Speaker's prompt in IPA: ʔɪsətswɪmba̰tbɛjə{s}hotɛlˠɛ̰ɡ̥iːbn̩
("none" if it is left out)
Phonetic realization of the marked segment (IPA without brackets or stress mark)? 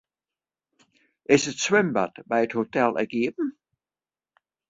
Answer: t